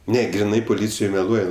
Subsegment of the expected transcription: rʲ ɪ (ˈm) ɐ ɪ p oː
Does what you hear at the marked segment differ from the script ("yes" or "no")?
yes